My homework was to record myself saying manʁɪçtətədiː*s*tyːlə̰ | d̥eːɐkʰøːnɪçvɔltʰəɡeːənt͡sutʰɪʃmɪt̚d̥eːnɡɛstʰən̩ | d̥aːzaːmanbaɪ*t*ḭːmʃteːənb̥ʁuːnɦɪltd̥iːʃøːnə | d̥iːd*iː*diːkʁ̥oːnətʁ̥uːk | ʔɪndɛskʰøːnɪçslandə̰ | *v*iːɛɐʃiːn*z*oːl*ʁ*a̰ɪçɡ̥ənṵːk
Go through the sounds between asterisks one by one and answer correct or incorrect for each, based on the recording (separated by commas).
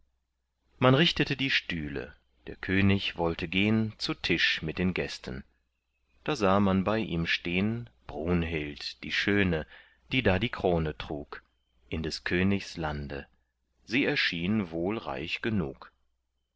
incorrect, incorrect, incorrect, incorrect, incorrect, correct